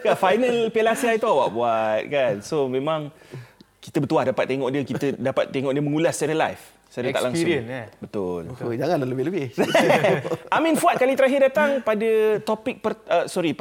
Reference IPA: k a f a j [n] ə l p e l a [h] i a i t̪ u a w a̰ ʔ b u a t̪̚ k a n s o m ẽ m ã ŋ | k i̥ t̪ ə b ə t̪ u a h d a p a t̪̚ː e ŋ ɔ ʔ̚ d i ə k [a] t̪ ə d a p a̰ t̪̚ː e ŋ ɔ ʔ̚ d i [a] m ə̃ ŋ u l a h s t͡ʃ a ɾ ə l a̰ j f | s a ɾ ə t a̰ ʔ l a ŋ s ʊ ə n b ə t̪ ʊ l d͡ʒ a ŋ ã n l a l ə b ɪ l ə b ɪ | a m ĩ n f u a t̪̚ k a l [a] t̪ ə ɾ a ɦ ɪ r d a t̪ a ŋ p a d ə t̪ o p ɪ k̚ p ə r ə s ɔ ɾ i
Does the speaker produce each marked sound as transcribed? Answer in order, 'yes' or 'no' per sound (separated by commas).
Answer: yes, no, no, no, no